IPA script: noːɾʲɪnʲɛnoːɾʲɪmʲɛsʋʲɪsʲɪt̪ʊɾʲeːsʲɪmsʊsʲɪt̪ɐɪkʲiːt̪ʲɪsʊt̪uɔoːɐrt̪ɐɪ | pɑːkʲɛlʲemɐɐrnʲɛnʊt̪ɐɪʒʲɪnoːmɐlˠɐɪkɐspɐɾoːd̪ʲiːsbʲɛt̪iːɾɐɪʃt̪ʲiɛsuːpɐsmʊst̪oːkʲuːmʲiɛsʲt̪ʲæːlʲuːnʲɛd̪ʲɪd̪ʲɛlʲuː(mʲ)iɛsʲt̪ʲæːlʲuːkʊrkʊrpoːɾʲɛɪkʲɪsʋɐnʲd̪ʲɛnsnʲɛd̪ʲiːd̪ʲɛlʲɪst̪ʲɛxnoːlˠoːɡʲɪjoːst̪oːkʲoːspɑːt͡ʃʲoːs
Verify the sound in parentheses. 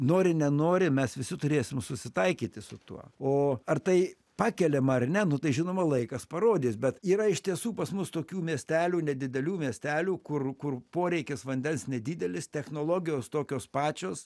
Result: correct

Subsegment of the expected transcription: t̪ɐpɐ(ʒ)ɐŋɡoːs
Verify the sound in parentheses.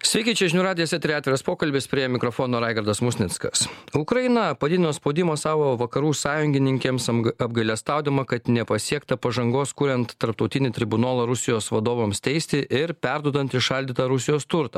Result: correct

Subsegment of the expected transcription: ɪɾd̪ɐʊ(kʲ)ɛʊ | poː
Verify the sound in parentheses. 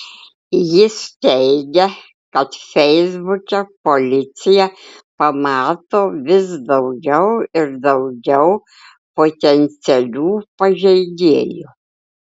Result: incorrect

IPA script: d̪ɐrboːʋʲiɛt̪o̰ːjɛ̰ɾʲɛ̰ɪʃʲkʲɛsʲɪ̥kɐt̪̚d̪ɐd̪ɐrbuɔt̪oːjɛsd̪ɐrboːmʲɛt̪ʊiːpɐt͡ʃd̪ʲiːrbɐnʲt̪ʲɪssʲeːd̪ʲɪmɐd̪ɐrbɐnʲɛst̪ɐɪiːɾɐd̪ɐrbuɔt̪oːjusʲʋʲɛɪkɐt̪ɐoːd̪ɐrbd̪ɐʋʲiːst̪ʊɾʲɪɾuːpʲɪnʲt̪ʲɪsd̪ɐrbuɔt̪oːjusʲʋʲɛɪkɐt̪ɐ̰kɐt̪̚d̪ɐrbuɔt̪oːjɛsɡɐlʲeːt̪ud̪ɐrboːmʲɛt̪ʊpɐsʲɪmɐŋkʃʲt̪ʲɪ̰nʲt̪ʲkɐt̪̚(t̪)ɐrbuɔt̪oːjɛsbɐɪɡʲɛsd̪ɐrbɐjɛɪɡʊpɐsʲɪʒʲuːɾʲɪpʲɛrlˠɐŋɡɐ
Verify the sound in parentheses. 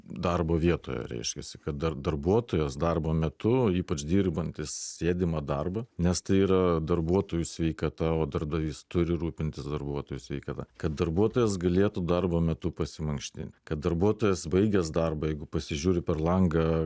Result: incorrect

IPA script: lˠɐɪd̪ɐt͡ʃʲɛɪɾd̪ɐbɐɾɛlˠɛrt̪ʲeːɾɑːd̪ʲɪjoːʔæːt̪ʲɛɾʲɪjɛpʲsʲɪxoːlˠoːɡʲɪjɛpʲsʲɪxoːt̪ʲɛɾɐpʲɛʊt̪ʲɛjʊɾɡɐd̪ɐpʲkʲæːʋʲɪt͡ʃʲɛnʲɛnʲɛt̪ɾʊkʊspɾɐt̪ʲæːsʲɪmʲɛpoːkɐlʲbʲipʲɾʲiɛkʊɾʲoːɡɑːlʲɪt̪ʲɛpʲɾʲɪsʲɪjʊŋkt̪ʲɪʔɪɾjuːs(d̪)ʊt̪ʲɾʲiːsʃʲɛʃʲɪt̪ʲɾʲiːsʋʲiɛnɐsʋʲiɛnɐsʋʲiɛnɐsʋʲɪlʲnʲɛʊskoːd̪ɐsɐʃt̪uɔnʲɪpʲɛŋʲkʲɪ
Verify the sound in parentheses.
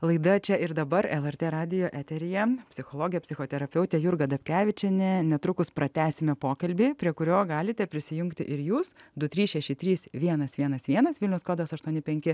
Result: correct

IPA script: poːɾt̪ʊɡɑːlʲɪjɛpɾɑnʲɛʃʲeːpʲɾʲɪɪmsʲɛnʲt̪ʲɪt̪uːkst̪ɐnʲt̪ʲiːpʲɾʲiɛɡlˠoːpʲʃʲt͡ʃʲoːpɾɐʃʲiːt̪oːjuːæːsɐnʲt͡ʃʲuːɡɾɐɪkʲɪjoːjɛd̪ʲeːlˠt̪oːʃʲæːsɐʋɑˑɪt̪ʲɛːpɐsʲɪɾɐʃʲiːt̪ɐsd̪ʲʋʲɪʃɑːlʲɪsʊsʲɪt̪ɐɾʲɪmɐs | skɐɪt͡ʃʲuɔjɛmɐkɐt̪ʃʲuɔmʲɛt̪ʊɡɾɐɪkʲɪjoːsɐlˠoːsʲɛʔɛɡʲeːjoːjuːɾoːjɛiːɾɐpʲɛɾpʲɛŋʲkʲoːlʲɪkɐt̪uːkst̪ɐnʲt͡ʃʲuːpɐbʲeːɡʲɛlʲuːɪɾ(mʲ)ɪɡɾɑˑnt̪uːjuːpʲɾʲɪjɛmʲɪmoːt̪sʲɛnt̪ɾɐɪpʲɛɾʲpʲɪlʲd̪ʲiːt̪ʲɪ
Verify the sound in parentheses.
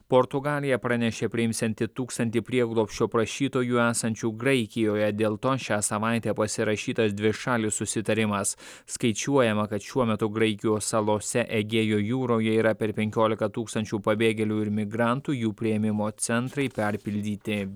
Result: correct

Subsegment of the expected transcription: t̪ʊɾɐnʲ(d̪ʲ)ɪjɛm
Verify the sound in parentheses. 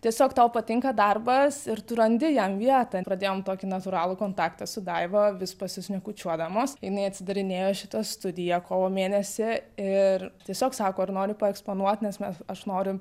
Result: correct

